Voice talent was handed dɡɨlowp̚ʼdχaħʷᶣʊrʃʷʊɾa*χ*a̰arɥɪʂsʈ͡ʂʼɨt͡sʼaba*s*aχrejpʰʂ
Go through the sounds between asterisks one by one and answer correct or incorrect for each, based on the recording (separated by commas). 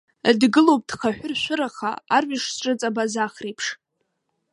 correct, incorrect